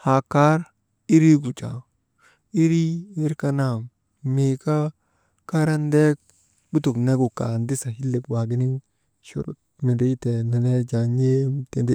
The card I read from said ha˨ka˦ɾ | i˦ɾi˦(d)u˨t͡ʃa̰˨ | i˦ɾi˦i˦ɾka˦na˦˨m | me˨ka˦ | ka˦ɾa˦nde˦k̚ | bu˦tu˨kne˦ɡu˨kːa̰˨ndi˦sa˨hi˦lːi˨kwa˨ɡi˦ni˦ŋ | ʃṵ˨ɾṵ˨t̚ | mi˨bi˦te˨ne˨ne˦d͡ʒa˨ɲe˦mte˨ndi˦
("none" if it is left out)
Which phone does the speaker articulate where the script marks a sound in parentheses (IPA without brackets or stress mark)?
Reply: ɡ